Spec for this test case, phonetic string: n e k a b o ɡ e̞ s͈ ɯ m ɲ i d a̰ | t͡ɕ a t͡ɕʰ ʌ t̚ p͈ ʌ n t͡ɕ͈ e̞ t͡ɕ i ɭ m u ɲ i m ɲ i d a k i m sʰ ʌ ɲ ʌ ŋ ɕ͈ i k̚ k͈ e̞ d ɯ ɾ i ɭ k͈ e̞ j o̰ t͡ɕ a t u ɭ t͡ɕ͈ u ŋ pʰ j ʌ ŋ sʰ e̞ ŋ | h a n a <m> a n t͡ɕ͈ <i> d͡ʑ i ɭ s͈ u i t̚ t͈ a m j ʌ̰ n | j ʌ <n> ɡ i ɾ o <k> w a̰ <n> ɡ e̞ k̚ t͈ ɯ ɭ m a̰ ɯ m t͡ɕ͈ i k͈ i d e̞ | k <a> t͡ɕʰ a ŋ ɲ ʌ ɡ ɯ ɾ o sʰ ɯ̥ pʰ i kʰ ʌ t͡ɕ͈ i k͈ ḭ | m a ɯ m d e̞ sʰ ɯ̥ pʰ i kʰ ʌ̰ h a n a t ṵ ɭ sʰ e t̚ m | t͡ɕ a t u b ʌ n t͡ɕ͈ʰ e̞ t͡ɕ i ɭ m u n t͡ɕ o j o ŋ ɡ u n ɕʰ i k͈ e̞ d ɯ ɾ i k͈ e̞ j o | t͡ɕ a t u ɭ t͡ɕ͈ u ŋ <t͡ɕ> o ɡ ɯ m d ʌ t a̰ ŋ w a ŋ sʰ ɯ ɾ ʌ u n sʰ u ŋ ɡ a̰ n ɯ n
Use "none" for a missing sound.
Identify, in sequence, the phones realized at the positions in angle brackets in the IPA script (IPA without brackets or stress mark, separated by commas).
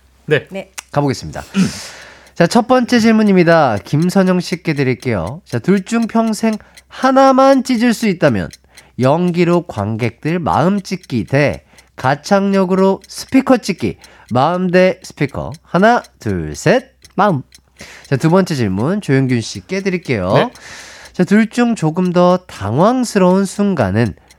m, i, ŋ, k, ŋ, a, t͡ɕ